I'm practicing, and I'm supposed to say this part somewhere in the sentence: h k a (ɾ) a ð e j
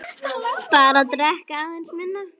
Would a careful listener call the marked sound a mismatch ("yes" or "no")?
yes